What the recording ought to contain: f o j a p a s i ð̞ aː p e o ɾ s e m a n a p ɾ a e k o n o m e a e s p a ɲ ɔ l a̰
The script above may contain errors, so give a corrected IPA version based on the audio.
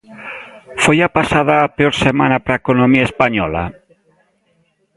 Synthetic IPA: f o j a p a s a ð̞ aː p e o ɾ s e m a n a p ɾ a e k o n o m i a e s p a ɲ ɔ l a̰